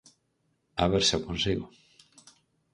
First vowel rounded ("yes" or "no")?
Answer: no